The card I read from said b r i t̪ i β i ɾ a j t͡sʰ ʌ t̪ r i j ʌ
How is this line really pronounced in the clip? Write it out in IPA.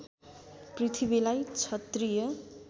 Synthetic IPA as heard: p r i t̪ʰ i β i l a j t͡sʰ ʌ t̪ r i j ʌ